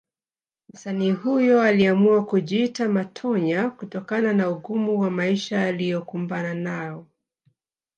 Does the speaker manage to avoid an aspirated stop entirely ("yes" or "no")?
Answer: no